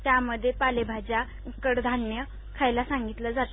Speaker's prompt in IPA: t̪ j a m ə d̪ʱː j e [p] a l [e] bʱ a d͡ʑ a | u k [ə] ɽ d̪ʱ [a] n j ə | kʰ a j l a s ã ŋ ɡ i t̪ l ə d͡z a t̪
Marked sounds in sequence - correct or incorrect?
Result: correct, correct, correct, correct

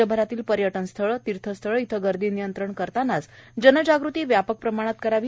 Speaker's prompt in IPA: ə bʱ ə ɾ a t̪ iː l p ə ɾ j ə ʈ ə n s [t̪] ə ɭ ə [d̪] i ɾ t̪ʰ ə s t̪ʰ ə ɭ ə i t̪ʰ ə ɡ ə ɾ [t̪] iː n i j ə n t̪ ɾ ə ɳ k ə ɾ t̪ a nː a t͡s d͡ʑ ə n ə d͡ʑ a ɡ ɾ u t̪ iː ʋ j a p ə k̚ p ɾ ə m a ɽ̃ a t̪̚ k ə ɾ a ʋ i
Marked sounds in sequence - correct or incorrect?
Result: incorrect: t̪ʰ, incorrect: t̪, incorrect: d̪

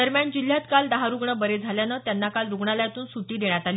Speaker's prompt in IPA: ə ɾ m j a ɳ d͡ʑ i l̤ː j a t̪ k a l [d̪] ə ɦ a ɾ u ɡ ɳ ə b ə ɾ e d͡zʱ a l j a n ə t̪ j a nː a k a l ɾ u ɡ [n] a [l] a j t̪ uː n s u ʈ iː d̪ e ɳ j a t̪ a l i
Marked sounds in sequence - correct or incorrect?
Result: correct, incorrect: ɳ, correct

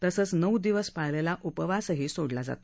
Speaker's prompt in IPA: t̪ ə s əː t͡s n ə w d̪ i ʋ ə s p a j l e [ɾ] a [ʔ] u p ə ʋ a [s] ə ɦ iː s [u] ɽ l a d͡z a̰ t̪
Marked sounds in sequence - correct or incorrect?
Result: incorrect: l, correct, correct, incorrect: o

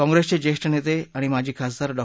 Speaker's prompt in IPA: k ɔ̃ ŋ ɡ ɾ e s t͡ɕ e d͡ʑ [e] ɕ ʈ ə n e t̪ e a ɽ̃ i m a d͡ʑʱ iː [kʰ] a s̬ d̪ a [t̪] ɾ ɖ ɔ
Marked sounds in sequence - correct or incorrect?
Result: correct, correct, incorrect: none

